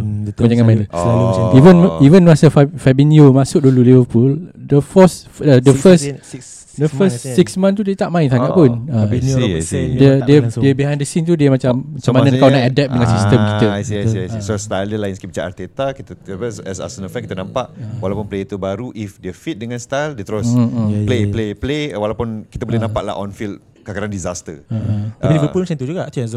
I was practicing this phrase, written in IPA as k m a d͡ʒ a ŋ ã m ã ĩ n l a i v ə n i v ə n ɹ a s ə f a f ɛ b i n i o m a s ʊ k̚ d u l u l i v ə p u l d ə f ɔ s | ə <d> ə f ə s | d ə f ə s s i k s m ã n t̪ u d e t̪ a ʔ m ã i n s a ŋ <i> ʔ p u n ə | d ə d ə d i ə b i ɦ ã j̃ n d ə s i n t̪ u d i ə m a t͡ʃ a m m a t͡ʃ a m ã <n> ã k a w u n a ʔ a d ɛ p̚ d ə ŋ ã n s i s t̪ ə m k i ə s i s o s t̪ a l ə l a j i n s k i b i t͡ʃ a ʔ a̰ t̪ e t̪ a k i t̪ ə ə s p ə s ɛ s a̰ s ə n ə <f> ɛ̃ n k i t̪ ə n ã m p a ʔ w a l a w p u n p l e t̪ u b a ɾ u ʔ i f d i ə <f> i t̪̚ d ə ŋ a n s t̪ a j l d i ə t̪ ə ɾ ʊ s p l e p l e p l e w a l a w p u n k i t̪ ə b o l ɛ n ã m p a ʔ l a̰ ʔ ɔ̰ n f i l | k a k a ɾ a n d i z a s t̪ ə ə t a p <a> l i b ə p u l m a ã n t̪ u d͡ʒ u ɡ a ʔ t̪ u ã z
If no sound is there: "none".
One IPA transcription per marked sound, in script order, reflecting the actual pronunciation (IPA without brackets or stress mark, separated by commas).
d, a, n, f, f, i